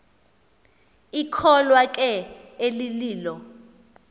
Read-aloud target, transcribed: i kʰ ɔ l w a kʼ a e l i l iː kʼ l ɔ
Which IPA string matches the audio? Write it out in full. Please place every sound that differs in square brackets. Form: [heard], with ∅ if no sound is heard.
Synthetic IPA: i kʰ ɔ l w a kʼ [ɛ] e l i l iː [∅] l ɔ